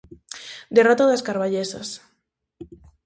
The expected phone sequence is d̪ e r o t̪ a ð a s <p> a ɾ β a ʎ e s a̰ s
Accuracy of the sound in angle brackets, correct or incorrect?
incorrect